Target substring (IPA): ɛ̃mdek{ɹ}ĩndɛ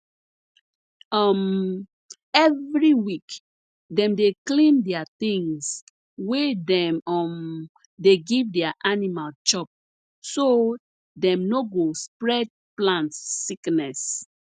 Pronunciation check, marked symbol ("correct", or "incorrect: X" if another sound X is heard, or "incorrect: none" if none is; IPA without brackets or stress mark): incorrect: l